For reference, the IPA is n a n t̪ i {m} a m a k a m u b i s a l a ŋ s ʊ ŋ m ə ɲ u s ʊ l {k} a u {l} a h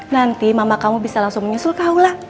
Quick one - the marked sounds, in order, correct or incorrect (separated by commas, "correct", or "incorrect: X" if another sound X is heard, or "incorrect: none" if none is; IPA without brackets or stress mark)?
correct, correct, correct